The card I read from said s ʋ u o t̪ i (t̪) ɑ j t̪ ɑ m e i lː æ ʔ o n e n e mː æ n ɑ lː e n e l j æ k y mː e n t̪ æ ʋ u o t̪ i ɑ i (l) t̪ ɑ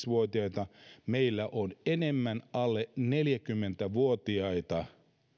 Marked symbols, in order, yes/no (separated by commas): no, no